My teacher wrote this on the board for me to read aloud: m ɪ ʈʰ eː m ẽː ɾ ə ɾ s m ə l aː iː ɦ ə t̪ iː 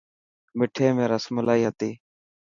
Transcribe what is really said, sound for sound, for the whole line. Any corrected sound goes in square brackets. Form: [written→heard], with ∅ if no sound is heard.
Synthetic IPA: m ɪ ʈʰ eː m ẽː ɾ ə [ɾ→∅] s m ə l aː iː ɦ ə t̪ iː